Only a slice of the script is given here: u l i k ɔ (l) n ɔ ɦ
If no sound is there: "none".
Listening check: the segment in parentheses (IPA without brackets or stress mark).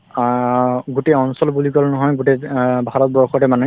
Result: l